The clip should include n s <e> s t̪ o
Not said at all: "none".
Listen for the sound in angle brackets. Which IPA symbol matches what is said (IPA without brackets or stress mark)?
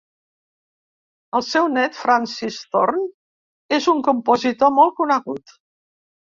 i